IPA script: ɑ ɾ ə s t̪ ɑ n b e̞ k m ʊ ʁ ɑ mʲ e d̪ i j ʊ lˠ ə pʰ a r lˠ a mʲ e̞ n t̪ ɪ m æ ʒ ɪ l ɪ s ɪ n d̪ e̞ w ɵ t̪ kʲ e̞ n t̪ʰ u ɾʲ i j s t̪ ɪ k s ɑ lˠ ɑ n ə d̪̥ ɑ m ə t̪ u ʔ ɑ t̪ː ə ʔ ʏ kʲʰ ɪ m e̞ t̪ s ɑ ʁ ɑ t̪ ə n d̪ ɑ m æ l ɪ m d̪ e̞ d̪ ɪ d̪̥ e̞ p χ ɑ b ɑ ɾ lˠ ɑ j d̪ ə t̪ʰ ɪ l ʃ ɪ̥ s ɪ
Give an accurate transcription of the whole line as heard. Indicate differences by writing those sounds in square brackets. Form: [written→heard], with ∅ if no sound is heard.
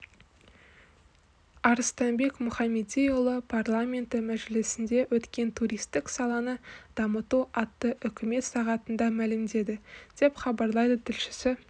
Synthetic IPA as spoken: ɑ ɾ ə s t̪ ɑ n b e̞ k m ʊ [ʁ→χ] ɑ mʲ e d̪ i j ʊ lˠ ə pʰ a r lˠ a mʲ e̞ n t̪ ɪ m æ ʒ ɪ l ɪ s ɪ n d̪ e̞ w ɵ t̪ kʲ e̞ n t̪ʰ u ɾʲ i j s t̪ ɪ k s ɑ lˠ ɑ n ə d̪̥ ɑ m ə t̪ u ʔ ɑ t̪ː ə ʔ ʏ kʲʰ ɪ m e̞ t̪ s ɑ ʁ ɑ t̪ ə n d̪ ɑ m æ l ɪ m d̪ e̞ d̪ ɪ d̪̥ e̞ p χ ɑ b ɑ ɾ lˠ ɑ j d̪ ə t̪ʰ ɪ l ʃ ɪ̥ s ɪ